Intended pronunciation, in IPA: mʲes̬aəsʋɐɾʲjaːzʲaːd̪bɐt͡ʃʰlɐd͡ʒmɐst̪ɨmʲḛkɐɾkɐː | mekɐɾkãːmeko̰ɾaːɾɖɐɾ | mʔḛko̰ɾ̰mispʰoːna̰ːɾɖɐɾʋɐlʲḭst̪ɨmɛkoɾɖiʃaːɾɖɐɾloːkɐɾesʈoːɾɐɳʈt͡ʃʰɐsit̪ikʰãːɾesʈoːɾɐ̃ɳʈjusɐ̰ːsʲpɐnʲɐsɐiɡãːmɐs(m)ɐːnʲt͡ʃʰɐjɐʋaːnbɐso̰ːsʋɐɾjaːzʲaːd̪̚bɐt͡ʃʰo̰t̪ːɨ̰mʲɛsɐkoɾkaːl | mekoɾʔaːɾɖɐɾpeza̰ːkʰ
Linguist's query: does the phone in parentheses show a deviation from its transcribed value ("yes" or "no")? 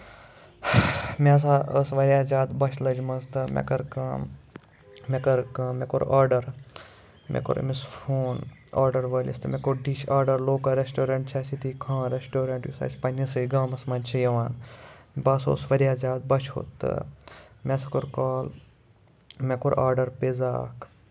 no